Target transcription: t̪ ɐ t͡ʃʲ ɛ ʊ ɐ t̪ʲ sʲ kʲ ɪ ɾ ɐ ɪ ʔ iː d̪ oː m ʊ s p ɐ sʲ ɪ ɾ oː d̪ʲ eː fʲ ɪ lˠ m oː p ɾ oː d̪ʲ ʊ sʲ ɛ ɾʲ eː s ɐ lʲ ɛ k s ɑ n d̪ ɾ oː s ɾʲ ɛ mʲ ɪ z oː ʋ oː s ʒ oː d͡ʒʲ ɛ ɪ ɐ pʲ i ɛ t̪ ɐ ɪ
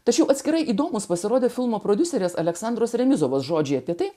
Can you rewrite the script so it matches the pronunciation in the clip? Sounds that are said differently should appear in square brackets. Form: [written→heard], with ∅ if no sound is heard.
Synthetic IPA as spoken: t̪ ɐ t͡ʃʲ ɛ ʊ ɐ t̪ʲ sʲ kʲ ɪ ɾ ɐ ɪ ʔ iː d̪ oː m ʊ s p ɐ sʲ ɪ ɾ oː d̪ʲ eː fʲ ɪ lˠ m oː p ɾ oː d̪ʲ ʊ sʲ ɛ ɾʲ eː s ɐ lʲ ɛ k s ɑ n d̪ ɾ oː s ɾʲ ɛ mʲ ɪ z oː ʋ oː s ʒ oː d͡ʒʲ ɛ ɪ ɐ pʲ i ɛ t̪ ɐ ɪ